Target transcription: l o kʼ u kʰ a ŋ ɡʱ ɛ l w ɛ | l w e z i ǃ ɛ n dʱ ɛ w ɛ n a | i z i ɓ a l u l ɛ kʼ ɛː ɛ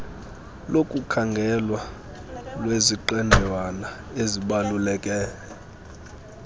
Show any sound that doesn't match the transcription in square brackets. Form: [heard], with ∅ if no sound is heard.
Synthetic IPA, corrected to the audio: l o kʼ u kʰ a ŋ ɡʱ ɛ l w [a] | l w e z i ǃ ɛ n dʱ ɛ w [a] n a | [e] z i ɓ a l u l ɛ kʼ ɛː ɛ